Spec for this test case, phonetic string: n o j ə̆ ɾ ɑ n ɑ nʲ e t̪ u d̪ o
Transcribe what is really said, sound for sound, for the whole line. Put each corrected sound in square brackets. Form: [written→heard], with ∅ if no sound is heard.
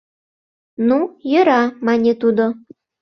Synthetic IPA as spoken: n [o→u] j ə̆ ɾ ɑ [n→m] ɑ nʲ e t̪ u d̪ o